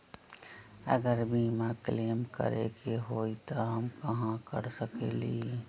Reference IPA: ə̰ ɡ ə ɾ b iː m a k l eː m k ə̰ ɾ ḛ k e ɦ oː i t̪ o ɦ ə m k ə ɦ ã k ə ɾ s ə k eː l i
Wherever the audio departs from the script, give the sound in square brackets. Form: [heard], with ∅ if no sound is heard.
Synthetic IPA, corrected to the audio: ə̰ ɡ ə ɾ b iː m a k l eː m k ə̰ ɾ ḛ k e ɦ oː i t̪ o ɦ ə m k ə ɦ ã k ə ɾ s ə k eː l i